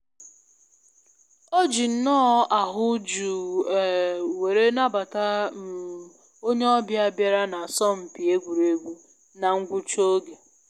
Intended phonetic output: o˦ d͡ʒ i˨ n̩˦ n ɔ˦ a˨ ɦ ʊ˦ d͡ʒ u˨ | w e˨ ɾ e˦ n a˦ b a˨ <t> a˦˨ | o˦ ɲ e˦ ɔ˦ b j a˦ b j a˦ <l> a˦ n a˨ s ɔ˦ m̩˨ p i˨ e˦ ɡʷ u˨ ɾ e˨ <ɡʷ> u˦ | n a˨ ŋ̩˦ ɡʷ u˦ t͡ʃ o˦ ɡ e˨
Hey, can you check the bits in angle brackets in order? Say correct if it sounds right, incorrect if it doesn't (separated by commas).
correct, incorrect, correct